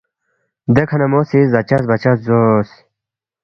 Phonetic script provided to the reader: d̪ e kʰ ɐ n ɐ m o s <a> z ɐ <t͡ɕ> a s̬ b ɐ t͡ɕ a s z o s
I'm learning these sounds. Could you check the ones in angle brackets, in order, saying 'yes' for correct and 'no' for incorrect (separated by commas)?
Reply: no, yes